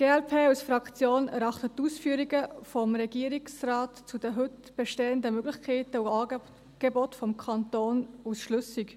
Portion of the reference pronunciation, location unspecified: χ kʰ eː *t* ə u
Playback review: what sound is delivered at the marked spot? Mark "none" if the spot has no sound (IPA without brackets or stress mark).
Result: t